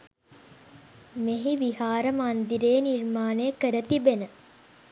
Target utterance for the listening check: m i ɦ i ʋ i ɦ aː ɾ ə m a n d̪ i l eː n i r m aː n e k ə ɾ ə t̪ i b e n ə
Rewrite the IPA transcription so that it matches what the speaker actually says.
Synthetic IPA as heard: m e ɦ i ʋ i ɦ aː ɾ ə m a n d̪ i ɾ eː n i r m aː n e k ə ɾ ə t̪ i b e n ə